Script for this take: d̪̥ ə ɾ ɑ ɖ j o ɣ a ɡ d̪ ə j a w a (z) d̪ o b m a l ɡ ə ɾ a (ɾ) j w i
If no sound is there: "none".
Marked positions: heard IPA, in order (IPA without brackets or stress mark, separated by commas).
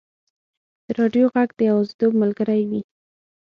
z, none